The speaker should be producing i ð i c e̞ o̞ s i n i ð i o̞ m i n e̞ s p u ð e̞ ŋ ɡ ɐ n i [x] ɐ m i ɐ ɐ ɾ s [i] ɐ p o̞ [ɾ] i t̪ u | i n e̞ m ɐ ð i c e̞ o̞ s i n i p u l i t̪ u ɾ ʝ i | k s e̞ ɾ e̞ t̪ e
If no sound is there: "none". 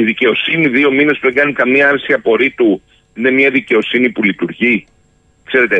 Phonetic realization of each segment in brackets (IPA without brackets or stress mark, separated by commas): k, i, ɾ